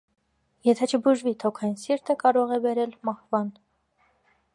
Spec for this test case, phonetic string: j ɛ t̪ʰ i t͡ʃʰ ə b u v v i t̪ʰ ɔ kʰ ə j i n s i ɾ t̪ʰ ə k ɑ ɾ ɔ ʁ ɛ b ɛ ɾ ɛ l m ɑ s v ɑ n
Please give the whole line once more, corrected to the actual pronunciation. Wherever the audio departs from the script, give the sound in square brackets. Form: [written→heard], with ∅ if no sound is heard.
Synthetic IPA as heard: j ɛ t̪ʰ [i→ɛ] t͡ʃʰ ə b u [v→ʒ] v i t̪ʰ ɔ kʰ [ə→ɑ] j i n s i ɾ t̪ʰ ə k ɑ ɾ ɔ ʁ ɛ b ɛ ɾ ɛ l m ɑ [s→h] v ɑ n